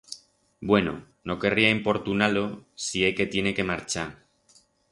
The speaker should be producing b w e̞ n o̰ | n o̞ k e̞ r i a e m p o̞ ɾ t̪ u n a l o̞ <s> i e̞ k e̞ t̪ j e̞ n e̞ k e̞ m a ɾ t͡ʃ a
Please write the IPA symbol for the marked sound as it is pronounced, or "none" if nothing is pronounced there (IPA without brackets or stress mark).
s